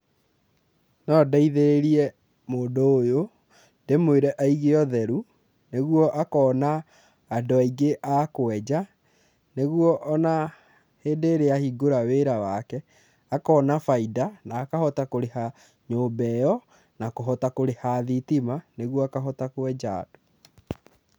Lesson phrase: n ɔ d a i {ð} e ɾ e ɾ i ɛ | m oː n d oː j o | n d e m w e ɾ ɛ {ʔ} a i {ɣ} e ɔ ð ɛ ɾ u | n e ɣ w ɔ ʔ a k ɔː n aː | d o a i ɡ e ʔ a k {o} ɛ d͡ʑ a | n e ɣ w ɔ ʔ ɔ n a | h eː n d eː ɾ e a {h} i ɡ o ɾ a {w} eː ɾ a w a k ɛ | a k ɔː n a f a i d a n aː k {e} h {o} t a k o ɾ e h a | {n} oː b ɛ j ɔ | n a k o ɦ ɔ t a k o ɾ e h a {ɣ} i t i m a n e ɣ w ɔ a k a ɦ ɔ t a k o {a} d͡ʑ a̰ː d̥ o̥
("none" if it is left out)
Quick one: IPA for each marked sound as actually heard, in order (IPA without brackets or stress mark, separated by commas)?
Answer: ð, ʔ, ɣ, o, h, w, a, ɔ, ɲ, ð, ɛ